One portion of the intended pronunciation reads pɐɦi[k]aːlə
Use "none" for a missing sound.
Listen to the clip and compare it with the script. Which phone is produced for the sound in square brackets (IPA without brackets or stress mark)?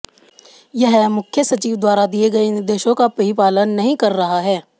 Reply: p